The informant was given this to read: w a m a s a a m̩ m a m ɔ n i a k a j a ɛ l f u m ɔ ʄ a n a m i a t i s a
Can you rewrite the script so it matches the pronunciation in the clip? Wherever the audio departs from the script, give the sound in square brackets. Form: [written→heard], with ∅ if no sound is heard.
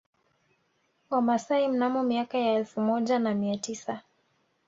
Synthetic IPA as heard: w a m a s a [a→i] m̩ [m→n] a m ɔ [n→m] i a k a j a ɛ l f u m ɔ ʄ a n a m i a t i s a